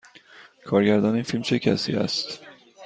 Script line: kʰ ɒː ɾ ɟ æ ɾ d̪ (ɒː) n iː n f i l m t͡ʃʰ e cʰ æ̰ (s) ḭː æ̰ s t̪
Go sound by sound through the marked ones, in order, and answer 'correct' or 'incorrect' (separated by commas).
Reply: correct, correct